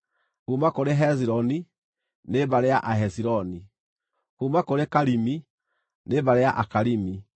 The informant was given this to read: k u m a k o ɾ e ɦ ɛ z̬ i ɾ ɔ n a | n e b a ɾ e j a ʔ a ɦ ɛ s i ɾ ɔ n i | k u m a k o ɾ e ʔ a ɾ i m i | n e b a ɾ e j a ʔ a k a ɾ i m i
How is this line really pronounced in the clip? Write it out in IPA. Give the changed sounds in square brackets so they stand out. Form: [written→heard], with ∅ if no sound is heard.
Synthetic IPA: k u m a k o ɾ e ɦ ɛ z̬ i ɾ ɔ n [a→i] | n e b a ɾ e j a ʔ a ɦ ɛ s i ɾ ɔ n i | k u m a k o ɾ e [ʔ→k] a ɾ i m i | n e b a ɾ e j a ʔ a k a ɾ i m i